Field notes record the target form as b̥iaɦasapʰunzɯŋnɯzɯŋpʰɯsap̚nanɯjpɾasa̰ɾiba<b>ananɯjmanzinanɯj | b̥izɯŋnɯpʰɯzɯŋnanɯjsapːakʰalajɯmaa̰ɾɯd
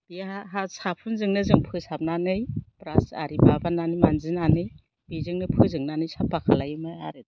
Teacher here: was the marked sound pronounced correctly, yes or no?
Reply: yes